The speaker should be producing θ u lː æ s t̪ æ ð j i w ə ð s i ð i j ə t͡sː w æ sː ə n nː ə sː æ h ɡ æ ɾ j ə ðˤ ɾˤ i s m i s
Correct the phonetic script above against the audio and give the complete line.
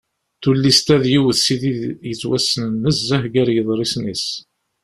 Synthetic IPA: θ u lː i s t̪ æ ð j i w ə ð s i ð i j ə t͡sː w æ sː ə n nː ə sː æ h ɡ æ ɾ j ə ðˤ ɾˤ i s n i s